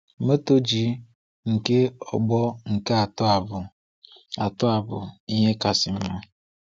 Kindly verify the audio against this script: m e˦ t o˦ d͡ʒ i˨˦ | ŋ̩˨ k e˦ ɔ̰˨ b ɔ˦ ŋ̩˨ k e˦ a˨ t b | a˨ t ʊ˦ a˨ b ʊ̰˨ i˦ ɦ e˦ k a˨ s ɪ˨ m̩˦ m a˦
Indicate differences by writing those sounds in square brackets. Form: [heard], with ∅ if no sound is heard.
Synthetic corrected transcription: m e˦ t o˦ d͡ʒ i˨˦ | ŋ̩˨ k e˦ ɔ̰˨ [ɡ͡b] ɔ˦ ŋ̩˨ k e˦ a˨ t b | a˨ t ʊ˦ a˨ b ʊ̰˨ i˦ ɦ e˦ k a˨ s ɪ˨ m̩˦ m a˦